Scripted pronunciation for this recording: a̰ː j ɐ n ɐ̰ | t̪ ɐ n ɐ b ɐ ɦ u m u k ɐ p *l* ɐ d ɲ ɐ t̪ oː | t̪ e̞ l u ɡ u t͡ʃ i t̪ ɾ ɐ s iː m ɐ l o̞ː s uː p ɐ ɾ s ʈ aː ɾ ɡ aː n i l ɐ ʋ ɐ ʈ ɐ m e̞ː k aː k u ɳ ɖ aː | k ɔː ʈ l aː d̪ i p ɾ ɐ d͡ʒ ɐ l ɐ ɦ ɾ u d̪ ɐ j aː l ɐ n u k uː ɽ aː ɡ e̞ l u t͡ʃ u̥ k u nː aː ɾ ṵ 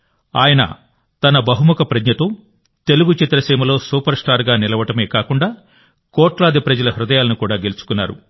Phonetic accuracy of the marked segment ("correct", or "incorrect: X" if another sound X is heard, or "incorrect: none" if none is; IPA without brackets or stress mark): incorrect: ɾ